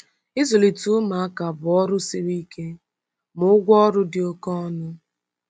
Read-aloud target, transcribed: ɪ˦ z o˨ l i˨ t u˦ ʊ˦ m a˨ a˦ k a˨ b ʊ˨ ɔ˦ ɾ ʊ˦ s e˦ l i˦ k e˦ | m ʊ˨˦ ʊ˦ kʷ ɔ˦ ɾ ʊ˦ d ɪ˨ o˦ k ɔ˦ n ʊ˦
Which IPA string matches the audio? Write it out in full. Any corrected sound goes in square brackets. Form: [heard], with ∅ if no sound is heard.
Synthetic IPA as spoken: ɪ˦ z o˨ l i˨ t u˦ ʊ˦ m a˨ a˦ k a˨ b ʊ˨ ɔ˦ ɾ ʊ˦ s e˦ [ɾ] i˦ k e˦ | m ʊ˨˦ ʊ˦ [ɡʷ] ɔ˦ ɾ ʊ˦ d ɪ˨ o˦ k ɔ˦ n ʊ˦